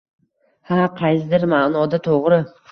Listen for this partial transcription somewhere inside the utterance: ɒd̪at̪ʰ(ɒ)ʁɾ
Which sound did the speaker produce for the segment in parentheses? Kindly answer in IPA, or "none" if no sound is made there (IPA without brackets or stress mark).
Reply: o